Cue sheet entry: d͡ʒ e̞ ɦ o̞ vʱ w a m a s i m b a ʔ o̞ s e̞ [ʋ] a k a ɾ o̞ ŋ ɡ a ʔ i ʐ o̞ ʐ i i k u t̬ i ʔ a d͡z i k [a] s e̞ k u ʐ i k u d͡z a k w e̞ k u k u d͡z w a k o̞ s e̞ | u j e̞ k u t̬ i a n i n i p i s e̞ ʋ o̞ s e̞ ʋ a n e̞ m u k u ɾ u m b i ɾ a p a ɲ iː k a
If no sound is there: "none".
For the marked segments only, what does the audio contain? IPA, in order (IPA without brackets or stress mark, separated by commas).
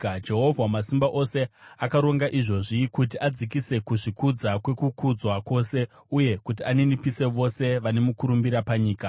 none, i